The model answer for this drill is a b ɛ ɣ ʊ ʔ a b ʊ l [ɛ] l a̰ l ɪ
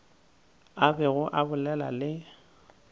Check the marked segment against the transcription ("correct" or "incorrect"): correct